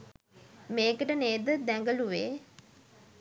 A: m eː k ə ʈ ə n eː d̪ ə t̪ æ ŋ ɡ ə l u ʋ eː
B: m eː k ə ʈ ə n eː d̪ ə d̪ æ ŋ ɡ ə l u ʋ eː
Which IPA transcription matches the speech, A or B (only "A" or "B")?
B